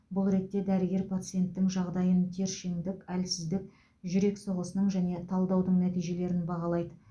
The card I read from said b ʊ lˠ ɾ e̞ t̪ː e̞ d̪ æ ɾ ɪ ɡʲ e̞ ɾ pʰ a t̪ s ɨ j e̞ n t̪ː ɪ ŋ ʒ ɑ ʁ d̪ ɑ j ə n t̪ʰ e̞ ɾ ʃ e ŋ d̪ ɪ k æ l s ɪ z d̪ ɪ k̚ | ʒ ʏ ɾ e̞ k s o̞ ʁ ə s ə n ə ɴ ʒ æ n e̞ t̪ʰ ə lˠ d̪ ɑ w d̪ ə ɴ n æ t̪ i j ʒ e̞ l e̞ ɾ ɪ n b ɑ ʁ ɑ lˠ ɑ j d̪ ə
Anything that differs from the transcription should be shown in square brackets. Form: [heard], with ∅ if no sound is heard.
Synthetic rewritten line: b ʊ lˠ ɾ e̞ t̪ː e̞ d̪ æ ɾ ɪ ɡʲ e̞ ɾ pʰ a t̪ s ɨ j e̞ n t̪ː ɪ ŋ ʒ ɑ ʁ d̪ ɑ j ə n t̪ʰ e̞ ɾ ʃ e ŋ d̪ ɪ k æ l s ɪ z d̪ ɪ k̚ | ʒ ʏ ɾ e̞ k s o̞ ʁ ə s ə n ə ɴ ʒ æ n e̞ t̪ʰ [ɑ] lˠ d̪ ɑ w d̪ ə ɴ n æ t̪ i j ʒ e̞ l e̞ ɾ ɪ n b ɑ ʁ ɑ lˠ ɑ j d̪ ə